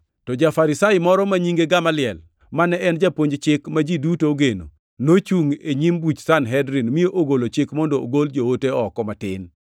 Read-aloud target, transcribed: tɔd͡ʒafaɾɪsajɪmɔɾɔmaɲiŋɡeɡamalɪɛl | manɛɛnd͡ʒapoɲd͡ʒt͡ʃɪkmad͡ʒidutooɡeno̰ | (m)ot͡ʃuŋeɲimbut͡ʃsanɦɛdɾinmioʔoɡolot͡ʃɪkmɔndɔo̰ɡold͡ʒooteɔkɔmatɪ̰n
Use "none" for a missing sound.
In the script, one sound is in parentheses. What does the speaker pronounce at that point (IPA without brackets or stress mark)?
n